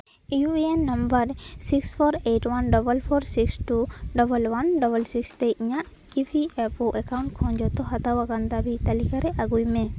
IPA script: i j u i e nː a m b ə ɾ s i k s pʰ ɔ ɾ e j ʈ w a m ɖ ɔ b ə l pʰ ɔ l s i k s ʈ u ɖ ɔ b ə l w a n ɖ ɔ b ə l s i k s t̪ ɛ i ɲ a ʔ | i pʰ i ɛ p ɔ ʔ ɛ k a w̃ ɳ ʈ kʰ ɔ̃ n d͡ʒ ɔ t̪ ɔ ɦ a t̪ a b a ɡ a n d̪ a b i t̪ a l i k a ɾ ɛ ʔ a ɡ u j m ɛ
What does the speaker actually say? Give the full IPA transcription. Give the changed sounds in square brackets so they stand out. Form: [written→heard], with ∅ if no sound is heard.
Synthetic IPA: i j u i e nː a m b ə ɾ s i k s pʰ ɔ ɾ e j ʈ w a [m→n] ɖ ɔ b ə l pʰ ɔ [l→ɾ] s i k s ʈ u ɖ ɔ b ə l w a n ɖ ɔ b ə l s i k s t̪ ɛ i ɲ a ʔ | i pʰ i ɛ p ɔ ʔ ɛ k a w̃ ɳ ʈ kʰ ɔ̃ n d͡ʒ ɔ t̪ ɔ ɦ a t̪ a [b→w] a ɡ a n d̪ a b i t̪ a l i k a ɾ ɛ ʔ a ɡ u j m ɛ

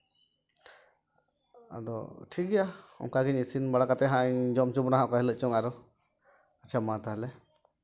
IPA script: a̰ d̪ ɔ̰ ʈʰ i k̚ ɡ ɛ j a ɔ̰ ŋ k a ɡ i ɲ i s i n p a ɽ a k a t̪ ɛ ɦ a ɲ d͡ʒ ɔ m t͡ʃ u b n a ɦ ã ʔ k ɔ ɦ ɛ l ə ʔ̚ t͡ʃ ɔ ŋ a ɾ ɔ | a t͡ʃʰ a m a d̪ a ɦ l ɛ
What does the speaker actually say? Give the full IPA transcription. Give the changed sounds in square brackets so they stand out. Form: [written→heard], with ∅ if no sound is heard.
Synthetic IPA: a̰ d̪ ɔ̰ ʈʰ i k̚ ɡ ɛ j a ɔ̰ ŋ k a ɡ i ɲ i s i n [p→b] a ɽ a k a t̪ ɛ ɦ a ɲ d͡ʒ ɔ m t͡ʃ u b n a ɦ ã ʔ k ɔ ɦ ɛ l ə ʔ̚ t͡ʃ ɔ ŋ a ɾ ɔ | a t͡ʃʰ a m a [d̪→t̪] a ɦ l ɛ

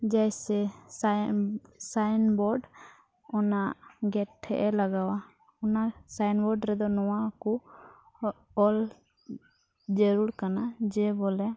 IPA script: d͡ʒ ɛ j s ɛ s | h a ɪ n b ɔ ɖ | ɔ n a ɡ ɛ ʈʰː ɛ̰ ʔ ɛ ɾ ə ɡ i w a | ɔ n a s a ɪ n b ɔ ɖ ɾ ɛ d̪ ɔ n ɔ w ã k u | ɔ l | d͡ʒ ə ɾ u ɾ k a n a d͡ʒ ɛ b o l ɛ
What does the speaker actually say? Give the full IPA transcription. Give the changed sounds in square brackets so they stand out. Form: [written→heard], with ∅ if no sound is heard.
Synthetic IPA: d͡ʒ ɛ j s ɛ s | [h→s] a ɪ n b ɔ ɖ | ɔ n a ɡ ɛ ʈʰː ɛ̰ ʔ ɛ [ɾ→l] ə ɡ [i→a] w a | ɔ n a s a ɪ n b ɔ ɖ ɾ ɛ d̪ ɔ n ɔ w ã k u | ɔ l | d͡ʒ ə ɾ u ɾ k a n a d͡ʒ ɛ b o l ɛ

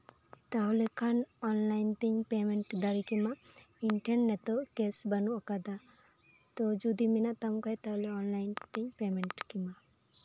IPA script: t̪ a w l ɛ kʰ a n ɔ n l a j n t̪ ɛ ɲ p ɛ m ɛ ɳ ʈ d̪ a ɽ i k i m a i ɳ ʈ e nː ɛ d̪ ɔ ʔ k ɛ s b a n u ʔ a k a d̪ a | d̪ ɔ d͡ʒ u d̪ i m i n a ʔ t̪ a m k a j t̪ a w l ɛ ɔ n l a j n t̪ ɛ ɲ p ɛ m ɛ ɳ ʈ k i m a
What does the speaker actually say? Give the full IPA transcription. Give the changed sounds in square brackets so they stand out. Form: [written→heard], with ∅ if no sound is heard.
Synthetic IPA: t̪ a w l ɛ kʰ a n ɔ n l a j n t̪ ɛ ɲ p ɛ m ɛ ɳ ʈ d̪ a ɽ i k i m a i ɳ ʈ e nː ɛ [d̪→t̪] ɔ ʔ k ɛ s b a n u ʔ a k a d̪ a | [d̪→t̪] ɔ d͡ʒ u d̪ i m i n a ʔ t̪ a m k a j t̪ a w l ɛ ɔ n l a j n t̪ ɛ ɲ p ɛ m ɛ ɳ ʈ k i m a

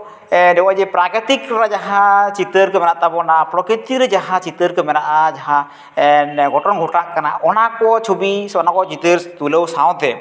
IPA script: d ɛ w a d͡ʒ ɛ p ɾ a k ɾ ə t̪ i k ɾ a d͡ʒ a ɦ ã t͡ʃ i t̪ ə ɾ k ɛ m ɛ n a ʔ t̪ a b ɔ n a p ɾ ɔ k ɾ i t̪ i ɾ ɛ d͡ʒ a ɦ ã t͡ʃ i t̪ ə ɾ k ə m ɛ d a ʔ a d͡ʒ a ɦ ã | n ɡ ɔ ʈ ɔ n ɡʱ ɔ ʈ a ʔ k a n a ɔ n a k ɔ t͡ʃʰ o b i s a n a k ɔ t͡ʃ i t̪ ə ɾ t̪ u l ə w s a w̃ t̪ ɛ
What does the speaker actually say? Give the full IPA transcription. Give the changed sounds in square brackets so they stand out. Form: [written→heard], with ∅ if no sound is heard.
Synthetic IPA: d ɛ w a d͡ʒ ɛ p ɾ a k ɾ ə t̪ i k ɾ a d͡ʒ a ɦ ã t͡ʃ i t̪ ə ɾ k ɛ m ɛ n a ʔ t̪ a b ɔ n a p ɾ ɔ k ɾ i t̪ i ɾ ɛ d͡ʒ a ɦ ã t͡ʃ i t̪ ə ɾ k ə m ɛ [d→n] a ʔ a d͡ʒ a ɦ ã | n ɡ ɔ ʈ ɔ n ɡʱ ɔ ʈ a ʔ k a n a ɔ n a k ɔ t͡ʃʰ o b i s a n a k ɔ t͡ʃ i t̪ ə ɾ t̪ u l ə w s a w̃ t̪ ɛ

